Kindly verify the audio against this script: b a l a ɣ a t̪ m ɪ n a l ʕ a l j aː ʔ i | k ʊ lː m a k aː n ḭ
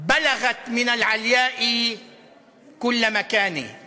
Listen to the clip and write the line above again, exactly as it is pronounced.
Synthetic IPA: b a l a ɣ a t̪ m ɪ n a l ʕ a l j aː ʔ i | k ʊ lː m a k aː n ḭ